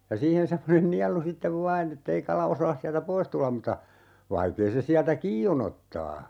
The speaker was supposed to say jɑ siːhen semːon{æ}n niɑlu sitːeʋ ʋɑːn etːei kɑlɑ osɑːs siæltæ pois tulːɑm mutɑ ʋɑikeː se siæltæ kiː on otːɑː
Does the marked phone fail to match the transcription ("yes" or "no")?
yes